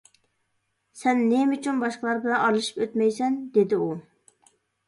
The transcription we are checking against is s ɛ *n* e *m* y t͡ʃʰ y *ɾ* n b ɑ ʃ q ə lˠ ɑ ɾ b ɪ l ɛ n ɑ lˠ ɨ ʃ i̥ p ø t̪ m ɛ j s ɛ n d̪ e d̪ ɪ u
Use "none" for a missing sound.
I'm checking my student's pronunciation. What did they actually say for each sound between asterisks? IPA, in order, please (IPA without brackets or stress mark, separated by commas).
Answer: nː, m, none